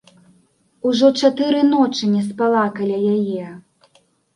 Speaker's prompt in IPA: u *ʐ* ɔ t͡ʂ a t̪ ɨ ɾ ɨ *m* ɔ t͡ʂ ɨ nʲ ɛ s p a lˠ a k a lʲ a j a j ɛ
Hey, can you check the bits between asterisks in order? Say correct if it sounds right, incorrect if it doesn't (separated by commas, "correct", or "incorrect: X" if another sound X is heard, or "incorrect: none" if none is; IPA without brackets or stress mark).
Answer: correct, incorrect: n